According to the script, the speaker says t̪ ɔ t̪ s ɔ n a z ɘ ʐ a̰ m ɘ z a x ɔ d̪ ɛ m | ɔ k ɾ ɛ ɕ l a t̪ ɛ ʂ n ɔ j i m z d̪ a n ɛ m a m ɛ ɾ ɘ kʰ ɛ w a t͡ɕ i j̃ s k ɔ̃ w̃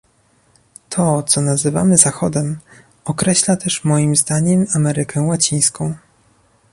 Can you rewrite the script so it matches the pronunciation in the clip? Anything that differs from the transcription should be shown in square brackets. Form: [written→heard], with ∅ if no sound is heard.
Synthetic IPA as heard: [t̪→t̪ʰ] ɔ t̪ s ɔ n a z ɘ [ʐ→v] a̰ m ɘ z a x ɔ d̪ ɛ m | ɔ k ɾ ɛ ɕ l a t̪ ɛ ʂ [n→m] ɔ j i m z d̪ a [n→ɲ] ɛ m a m ɛ ɾ ɘ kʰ ɛ w a t͡ɕ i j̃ s k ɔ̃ w̃